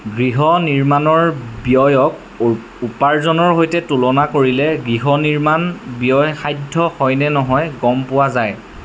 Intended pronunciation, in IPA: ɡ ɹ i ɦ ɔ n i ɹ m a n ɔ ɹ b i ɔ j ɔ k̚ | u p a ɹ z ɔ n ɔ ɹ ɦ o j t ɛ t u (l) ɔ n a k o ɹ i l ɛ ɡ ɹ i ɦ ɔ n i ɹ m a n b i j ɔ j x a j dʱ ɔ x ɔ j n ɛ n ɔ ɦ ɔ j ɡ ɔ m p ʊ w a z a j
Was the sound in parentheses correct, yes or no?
yes